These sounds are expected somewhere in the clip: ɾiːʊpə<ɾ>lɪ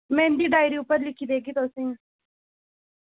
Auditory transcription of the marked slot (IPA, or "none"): ɾ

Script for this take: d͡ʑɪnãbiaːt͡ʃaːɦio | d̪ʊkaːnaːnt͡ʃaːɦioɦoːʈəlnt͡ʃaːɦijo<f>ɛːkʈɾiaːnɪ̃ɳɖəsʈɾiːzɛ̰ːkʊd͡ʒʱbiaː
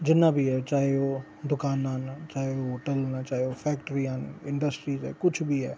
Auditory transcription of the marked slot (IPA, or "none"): f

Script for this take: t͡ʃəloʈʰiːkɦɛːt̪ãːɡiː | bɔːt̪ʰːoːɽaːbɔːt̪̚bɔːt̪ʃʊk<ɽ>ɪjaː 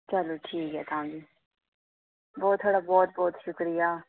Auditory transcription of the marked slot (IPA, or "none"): ɾ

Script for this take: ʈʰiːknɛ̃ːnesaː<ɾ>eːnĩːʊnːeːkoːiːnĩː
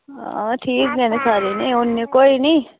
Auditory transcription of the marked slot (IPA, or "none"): ɾ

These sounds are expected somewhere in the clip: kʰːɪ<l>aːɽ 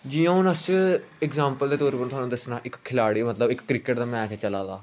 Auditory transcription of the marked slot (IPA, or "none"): l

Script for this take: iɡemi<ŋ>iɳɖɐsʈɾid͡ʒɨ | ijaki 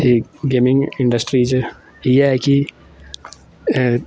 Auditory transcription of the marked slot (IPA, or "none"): ŋ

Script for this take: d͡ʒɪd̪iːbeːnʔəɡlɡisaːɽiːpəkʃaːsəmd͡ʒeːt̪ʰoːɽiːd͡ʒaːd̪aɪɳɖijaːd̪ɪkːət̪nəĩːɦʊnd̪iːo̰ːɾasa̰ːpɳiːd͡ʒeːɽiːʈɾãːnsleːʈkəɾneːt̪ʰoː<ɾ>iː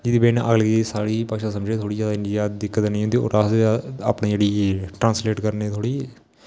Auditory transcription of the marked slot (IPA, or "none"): ɽ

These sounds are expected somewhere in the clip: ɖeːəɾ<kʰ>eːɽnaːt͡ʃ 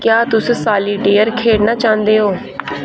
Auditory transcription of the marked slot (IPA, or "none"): kʰ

